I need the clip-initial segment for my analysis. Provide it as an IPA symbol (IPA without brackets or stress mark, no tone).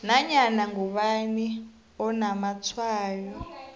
n